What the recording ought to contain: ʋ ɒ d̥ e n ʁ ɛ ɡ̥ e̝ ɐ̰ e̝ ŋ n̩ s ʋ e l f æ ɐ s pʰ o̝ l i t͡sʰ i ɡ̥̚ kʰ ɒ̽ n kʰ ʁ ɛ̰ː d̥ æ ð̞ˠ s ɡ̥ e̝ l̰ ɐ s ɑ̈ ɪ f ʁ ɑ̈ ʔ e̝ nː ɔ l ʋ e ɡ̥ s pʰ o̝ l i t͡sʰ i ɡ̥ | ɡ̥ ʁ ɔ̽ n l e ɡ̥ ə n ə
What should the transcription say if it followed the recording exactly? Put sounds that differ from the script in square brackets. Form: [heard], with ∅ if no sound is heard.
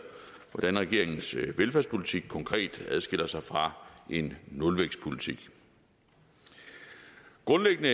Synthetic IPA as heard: ʋ ɒ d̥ [æ] n ʁ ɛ ɡ̥ e̝ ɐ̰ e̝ ŋ n̩ s ʋ e l f æ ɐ s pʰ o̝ l i t͡sʰ i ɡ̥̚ kʰ ɒ̽ [ŋ] kʰ ʁ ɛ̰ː d̥ æ ð̞ˠ s ɡ̥ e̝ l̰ ɐ s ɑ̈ ɪ f ʁ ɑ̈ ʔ e̝ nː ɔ l ʋ e ɡ̥ s pʰ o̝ l i t͡sʰ i ɡ̥ | ɡ̥ ʁ ɔ̽ n l e ɡ̥ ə n ə